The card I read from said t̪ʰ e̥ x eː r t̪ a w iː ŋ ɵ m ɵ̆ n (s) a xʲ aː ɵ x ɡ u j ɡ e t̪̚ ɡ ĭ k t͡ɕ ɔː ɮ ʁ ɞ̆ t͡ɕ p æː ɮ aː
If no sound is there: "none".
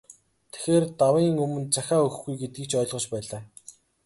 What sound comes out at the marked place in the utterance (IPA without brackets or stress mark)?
t͡s